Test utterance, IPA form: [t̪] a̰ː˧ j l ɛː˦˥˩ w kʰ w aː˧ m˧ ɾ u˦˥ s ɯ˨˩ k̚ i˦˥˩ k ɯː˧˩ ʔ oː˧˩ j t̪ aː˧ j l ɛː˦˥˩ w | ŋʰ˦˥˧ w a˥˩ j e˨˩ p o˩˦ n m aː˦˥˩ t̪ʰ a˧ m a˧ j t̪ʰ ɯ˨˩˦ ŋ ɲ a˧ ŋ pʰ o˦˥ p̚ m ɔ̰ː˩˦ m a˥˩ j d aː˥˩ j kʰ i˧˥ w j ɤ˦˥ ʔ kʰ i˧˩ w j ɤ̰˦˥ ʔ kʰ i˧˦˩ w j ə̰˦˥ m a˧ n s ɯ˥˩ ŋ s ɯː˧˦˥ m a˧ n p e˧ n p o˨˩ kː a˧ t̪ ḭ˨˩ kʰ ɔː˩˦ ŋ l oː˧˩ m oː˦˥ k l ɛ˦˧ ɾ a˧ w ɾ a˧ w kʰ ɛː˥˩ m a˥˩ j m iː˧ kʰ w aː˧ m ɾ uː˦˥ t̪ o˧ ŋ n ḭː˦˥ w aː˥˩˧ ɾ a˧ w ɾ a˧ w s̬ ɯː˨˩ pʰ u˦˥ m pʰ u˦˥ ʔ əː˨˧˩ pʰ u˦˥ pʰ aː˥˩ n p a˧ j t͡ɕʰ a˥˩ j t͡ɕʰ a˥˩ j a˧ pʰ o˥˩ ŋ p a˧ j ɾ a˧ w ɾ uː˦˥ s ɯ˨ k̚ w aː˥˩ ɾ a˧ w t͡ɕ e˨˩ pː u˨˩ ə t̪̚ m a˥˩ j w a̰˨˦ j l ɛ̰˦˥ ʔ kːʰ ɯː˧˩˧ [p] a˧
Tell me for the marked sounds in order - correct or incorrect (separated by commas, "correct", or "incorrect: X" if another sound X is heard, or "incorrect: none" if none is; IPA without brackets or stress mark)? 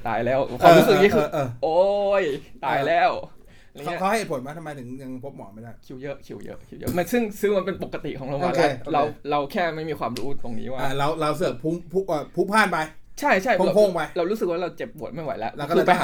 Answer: correct, correct